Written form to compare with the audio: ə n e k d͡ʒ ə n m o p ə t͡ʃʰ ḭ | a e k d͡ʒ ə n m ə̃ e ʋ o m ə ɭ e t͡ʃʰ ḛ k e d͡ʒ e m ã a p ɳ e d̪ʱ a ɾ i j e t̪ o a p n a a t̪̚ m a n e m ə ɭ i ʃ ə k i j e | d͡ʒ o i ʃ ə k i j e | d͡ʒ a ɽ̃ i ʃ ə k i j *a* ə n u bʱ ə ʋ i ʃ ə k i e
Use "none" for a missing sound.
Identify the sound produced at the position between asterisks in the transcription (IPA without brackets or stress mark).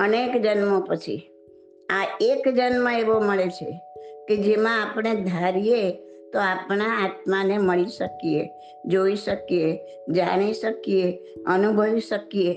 e